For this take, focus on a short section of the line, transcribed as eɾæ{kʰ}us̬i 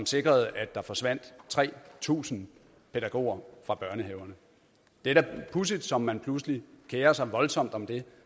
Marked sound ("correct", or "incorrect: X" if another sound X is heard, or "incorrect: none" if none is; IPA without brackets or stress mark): incorrect: pʰ